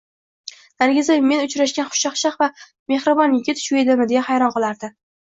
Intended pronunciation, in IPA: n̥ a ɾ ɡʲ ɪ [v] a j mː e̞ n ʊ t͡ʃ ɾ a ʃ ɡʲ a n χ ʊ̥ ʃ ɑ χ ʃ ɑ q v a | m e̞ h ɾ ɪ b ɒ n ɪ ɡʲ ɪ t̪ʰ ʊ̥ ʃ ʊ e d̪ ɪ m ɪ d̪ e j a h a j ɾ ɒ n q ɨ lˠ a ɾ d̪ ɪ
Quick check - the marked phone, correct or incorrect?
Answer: incorrect